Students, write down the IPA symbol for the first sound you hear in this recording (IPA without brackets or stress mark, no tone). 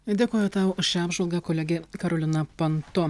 d̪ʲ